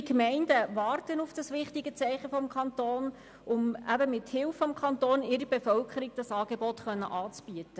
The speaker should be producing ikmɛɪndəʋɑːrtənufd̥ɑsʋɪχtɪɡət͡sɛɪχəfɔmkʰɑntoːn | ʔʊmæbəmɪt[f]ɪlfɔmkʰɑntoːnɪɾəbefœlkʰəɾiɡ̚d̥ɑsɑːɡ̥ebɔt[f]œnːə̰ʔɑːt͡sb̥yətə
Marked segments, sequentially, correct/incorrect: incorrect: h, incorrect: χ

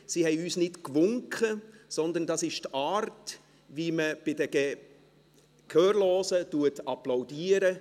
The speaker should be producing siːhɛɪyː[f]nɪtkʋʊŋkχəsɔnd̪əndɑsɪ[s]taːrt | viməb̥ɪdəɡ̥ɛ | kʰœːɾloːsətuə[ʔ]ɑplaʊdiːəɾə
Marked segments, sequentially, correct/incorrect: incorrect: s, incorrect: ʃ, incorrect: t

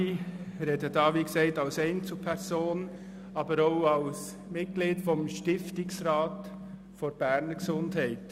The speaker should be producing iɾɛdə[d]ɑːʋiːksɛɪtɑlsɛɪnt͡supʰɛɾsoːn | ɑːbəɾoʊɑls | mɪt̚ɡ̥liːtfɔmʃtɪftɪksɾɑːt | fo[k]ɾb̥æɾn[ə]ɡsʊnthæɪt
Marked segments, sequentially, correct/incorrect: correct, incorrect: none, correct

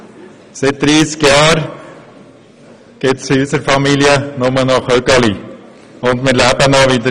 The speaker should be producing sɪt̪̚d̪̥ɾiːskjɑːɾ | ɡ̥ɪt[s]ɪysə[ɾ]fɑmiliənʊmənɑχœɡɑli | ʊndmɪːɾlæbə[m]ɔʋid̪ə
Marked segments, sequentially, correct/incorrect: correct, correct, incorrect: n

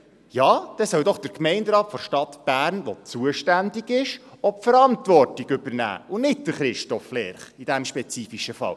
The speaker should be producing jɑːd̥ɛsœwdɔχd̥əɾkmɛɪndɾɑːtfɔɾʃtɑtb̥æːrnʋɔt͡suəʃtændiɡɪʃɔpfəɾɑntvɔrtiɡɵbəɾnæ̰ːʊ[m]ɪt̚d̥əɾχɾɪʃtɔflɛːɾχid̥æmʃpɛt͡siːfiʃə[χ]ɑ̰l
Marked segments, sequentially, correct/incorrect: incorrect: n, incorrect: f

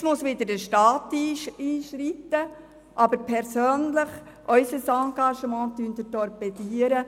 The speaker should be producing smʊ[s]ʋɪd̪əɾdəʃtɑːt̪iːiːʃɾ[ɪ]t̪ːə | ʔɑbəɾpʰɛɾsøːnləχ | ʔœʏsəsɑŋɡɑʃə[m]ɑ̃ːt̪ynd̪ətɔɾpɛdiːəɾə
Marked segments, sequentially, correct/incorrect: correct, incorrect: i, correct

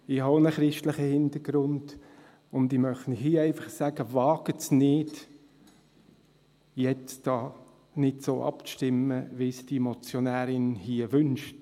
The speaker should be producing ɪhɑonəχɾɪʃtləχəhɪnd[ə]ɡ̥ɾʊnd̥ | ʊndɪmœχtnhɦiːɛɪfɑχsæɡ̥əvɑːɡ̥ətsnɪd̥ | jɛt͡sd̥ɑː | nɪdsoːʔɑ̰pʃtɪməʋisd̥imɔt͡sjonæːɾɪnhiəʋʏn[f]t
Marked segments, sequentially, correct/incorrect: correct, incorrect: ʃ

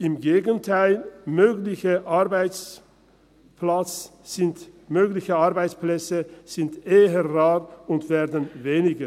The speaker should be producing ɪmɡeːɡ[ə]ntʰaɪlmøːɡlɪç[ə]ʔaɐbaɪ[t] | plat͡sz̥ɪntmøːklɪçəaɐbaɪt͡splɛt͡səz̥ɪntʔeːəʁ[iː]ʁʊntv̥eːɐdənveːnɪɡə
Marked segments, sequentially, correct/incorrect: correct, correct, incorrect: t͡s, incorrect: aː

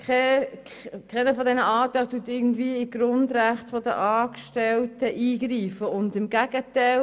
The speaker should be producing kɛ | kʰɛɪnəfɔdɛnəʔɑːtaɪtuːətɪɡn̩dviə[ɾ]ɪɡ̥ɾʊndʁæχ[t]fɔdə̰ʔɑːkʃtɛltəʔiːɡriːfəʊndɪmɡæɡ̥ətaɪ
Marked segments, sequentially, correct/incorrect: incorrect: none, correct

